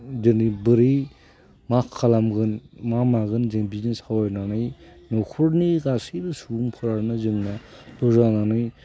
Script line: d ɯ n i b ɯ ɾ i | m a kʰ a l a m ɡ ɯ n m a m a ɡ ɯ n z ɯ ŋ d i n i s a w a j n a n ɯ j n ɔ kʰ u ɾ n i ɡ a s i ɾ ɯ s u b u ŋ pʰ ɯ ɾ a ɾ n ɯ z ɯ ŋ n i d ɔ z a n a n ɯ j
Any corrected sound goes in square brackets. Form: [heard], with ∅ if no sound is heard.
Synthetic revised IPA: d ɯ n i b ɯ ɾ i | m a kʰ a l a m ɡ ɯ n m a m a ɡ ɯ n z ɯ ŋ [b] i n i s a w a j n a n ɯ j n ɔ kʰ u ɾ n i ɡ a s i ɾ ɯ s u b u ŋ pʰ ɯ ɾ a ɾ n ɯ z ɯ ŋ n [a] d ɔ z a n a n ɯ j